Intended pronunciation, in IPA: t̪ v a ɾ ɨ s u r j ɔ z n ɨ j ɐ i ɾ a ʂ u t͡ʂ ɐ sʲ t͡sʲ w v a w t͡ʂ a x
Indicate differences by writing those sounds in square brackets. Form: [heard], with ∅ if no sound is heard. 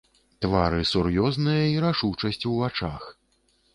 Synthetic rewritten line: t̪ v a ɾ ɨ s u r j ɔ z n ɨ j ɐ i ɾ a ʂ u t͡ʂ ɐ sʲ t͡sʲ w v a [∅] t͡ʂ a x